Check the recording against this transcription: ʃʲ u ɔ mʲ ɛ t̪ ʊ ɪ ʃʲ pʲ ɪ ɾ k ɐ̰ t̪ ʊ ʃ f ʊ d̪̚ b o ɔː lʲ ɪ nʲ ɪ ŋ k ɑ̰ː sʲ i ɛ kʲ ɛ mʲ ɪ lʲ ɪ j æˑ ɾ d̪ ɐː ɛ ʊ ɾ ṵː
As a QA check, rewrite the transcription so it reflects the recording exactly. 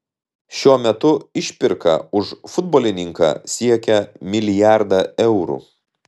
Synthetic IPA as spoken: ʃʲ u ɔ mʲ ɛ t̪ ʊ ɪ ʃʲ pʲ ɪ ɾ k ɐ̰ ʊ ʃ f ʊ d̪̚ b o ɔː lʲ ɪ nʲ ɪ ŋ k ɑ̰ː sʲ i ɛ kʲ ɛ mʲ ɪ lʲ ɪ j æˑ ɾ d̪ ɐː ɛ ʊ ɾ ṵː